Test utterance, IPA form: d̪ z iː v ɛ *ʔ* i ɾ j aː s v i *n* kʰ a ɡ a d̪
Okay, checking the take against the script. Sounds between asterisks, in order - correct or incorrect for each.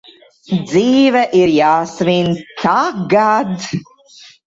correct, correct

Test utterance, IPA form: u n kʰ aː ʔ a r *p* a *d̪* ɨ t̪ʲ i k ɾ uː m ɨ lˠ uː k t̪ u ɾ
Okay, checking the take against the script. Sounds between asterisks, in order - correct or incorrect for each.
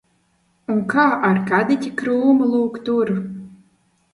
incorrect: k, correct

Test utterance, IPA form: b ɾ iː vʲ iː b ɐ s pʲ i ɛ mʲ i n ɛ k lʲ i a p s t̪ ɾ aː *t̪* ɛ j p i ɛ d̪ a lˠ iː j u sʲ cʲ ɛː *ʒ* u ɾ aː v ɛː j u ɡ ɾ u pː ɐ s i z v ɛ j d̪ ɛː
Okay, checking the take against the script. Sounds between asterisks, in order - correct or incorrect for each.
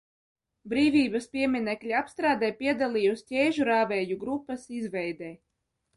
incorrect: d̪, correct

